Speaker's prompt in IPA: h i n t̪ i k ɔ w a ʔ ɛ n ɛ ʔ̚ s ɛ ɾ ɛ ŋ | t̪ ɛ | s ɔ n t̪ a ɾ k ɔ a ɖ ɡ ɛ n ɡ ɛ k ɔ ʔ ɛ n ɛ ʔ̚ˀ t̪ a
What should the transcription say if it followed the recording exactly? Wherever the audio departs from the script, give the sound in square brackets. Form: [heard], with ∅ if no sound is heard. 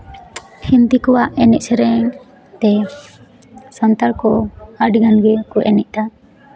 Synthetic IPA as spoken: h i n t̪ i k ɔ w a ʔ ɛ n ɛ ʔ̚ s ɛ ɾ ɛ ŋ | t̪ ɛ | s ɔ n t̪ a ɾ k ɔ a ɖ ɡ [a] n ɡ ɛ k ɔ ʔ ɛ n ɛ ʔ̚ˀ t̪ a